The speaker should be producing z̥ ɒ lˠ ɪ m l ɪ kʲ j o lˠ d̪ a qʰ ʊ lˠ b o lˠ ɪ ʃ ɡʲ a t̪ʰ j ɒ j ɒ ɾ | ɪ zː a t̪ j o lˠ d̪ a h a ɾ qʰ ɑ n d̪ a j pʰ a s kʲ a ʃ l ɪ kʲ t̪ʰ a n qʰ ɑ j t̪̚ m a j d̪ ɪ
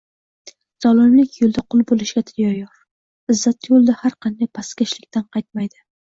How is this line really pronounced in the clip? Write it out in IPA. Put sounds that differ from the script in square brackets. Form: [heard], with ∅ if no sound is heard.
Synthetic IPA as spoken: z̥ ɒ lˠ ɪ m l ɪ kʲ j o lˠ d̪ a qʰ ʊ lˠ b o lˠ ɪ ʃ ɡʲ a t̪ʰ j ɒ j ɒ ɾ | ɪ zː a t̪ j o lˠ d̪ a h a ɾ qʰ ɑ n d̪ a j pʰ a s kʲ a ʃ l ɪ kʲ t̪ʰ a n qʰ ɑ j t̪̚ m a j d̪ ɪ